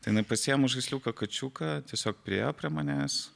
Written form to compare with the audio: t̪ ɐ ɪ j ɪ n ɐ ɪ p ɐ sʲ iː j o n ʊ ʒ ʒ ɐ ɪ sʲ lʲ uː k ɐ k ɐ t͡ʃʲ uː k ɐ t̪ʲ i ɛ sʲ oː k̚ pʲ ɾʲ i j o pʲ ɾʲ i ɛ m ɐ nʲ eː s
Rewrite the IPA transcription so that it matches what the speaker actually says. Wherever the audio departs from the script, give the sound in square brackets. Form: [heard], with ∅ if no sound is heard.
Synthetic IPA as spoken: t̪ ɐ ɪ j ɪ n ɐ ɪ p ɐ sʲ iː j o [m] ʊ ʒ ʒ ɐ ɪ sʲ lʲ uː k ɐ k ɐ t͡ʃʲ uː k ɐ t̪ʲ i ɛ sʲ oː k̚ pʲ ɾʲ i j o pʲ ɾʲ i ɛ m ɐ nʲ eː s